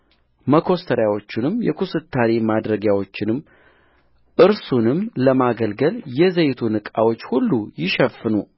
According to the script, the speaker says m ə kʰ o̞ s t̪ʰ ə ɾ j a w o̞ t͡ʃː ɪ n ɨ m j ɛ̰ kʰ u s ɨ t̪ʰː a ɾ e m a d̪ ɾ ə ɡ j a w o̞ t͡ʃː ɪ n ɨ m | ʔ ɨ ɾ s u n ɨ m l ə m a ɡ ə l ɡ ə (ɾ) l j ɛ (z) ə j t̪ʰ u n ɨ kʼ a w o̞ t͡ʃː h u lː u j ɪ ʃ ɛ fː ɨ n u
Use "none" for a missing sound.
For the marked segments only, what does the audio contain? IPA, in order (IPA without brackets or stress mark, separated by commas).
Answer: none, z